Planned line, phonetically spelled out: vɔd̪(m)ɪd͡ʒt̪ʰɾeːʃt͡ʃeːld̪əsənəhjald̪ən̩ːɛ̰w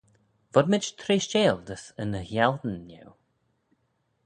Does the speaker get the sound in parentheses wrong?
no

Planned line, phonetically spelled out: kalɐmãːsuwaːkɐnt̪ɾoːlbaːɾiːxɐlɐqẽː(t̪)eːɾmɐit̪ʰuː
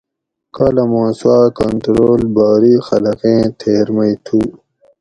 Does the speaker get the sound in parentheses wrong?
yes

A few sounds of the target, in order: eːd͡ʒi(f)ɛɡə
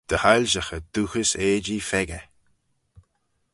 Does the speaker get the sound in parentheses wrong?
no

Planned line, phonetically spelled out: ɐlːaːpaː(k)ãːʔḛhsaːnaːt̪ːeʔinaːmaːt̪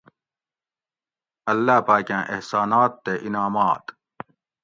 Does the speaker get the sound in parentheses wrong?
no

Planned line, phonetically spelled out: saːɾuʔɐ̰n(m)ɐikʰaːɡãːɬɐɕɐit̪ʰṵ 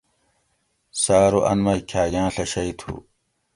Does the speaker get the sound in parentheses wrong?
no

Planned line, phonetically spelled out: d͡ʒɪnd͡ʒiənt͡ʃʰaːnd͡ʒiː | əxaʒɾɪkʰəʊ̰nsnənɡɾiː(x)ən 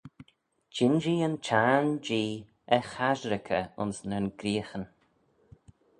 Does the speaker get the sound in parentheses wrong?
no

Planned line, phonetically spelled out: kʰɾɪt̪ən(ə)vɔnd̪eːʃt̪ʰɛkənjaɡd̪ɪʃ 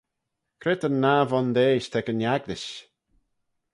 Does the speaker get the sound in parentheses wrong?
yes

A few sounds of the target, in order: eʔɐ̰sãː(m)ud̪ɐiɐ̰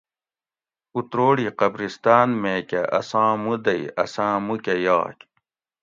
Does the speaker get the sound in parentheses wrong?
no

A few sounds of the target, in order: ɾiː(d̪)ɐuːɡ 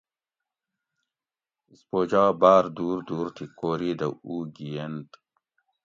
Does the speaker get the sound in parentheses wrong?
no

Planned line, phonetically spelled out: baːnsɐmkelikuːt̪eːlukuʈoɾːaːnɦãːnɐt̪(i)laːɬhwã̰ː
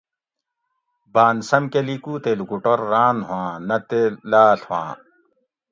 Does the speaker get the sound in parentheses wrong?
yes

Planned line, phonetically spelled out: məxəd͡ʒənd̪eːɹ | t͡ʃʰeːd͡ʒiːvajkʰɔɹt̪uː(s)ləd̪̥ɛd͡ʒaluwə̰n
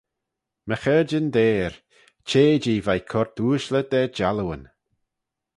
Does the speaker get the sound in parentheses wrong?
yes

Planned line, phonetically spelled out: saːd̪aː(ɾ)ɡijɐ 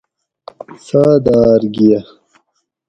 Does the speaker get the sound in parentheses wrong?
no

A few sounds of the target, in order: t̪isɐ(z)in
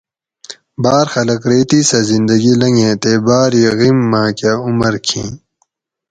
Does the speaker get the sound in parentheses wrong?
no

